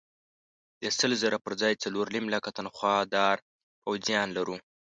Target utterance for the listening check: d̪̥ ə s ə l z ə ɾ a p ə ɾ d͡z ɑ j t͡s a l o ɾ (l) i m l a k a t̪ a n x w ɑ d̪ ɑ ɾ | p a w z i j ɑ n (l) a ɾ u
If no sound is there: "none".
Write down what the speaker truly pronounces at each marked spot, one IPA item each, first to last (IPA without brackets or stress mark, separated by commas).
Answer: l, l